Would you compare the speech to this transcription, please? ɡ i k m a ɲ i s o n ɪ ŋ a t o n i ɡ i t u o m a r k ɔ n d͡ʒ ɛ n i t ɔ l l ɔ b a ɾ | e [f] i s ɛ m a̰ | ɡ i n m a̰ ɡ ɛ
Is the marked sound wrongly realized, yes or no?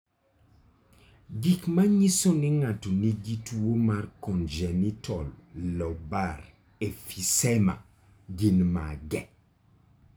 no